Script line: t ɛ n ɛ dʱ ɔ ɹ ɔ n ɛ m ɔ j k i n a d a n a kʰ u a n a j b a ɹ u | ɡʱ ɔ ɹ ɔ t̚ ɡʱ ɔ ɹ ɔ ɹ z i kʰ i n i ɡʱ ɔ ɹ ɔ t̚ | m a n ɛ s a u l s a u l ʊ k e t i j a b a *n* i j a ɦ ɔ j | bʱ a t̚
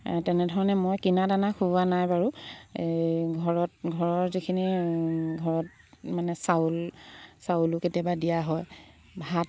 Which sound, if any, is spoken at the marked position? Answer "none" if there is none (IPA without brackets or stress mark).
d